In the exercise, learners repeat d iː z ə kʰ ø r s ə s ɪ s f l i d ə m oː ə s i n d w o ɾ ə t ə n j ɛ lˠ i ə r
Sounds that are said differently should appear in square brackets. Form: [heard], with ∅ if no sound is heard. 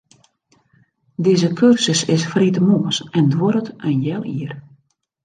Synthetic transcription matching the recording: d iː z ə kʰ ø r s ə s ɪ s f [r] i [t] ə m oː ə s [ɛ] n d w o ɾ ə t ə n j ɛ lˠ i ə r